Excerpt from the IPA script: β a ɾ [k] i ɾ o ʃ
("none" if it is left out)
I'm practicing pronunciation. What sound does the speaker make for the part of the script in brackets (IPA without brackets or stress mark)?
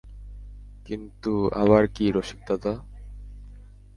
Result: k